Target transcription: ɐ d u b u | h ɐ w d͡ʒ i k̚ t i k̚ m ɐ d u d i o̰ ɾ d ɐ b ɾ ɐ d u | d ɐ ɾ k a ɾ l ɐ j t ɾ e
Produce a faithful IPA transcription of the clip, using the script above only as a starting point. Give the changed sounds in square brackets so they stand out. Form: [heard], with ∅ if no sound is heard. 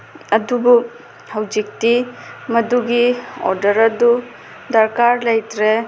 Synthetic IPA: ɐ d u b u | h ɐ w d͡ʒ i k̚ t i [∅] m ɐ d u [ɡ] i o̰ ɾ d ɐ [∅] ɾ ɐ d u | d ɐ ɾ k a ɾ l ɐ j t ɾ e